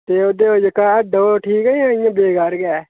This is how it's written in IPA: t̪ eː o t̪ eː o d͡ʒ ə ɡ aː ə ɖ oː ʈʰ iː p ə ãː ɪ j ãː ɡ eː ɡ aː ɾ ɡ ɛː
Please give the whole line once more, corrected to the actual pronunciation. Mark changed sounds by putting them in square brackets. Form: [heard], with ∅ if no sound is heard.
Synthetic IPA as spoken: t̪ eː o [d̪] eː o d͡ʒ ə [k] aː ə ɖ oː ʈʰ iː [k] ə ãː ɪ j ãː [b] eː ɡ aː ɾ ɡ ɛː